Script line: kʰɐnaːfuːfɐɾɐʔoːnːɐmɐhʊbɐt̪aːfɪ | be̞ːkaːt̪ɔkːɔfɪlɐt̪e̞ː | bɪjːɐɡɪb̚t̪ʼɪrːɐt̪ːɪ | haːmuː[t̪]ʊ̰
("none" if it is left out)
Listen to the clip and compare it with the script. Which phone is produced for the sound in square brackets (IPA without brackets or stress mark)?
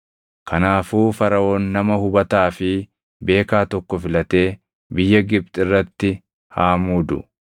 d̪